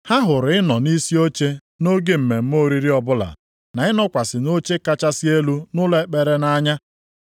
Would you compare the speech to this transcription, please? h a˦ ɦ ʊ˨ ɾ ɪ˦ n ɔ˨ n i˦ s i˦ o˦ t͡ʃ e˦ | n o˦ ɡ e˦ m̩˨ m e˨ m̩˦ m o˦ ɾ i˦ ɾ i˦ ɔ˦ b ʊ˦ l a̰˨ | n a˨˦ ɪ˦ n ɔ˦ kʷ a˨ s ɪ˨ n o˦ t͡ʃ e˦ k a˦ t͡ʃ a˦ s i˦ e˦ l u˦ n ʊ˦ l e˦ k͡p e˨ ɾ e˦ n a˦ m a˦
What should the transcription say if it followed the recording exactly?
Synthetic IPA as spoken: h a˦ ɦ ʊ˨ ɾ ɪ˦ n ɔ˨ n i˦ s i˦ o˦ t͡ʃ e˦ | n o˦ ɡ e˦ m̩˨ m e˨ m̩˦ m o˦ ɾ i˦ ɾ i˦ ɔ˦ b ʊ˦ l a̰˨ | n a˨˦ ɪ˦ n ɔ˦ kʷ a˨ s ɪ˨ n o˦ t͡ʃ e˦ k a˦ t͡ʃ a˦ s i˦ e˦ l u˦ n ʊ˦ l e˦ k͡p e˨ ɾ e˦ n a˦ ɲ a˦